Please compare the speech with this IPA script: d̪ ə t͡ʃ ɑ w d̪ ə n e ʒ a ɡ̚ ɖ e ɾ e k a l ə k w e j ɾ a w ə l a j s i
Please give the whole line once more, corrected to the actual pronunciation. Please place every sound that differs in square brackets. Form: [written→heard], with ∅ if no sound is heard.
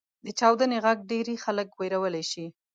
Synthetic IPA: d̪ ə t͡ʃ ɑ w d̪ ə n e [ʒ→ɣ] a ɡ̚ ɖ e ɾ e [k→x] a l ə k w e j ɾ a w ə l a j [s→ʃ] i

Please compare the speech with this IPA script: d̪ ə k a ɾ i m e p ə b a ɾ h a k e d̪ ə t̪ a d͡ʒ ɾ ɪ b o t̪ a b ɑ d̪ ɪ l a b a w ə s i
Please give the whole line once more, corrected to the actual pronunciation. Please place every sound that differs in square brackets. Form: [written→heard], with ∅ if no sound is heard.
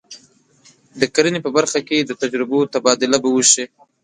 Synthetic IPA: d̪ ə k a ɾ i [m→n] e p ə b a ɾ [h→x] a k e d̪ ə t̪ a d͡ʒ ɾ ɪ b o t̪ a b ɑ d̪ ɪ l a b a w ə [s→ʃ] i

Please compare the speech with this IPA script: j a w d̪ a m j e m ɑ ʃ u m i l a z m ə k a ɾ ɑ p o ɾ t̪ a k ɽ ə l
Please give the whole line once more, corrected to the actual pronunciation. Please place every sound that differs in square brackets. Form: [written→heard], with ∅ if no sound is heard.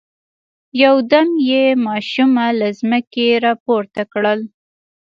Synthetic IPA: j a w d̪ a m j e m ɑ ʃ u m [i→a] l a z m ə k [a→e] ɾ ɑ p o ɾ t̪ a k ɽ ə l

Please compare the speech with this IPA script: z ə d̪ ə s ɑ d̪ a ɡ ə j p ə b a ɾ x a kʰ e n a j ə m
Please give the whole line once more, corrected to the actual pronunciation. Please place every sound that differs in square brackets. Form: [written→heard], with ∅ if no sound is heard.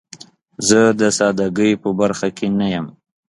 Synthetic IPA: z ə d̪ ə s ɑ d̪ a ɡ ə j p ə b a ɾ x a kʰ e n a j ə m

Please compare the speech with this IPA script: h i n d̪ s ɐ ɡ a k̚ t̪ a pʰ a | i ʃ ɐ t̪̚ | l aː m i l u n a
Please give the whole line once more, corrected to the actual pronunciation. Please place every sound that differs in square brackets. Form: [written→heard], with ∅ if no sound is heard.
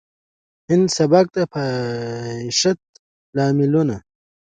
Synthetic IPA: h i n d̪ s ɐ [ɡ→b] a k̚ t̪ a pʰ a | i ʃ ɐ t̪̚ | l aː m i l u n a

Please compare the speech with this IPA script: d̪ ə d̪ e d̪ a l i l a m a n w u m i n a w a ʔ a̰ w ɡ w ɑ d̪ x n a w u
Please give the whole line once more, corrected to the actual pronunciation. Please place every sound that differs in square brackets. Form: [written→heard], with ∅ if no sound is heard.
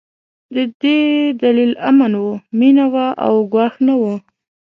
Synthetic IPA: d̪ ə d̪ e d̪ a l i l a m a n w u m i n a w a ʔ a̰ w ɡ w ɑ [d̪→∅] x n a w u

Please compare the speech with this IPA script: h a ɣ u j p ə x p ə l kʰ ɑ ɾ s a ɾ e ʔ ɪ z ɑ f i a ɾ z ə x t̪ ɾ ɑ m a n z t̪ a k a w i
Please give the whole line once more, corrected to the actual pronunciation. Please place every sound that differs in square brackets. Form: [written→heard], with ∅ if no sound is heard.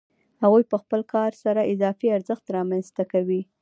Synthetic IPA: h a ɣ u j p ə x p ə l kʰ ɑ ɾ s a ɾ [e→a] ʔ ɪ z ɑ f i a ɾ z ə x t̪ ɾ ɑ m a n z t̪ a k a w i

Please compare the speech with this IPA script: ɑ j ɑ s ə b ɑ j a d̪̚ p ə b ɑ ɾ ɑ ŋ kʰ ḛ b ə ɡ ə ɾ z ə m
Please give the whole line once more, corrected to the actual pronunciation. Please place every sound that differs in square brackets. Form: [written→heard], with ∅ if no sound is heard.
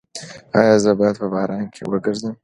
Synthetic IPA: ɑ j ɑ [s→z] ə b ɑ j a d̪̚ p ə b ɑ ɾ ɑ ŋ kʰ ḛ [b→w] ə ɡ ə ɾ z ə m

